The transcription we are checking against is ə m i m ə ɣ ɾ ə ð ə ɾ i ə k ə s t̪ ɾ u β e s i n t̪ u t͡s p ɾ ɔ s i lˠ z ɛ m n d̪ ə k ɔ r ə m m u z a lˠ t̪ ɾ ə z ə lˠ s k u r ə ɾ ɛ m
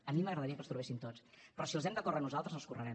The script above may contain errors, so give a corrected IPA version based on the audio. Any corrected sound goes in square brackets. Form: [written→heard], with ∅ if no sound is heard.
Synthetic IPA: ə m i m ə ɣ ɾ ə ð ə ɾ i ə k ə s t̪ ɾ u β e s i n t̪ [u→o] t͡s p ɾ ɔ s i lˠ z ɛ m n d̪ ə k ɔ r ə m [m→n] u z a lˠ t̪ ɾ ə z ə lˠ s k u r ə ɾ ɛ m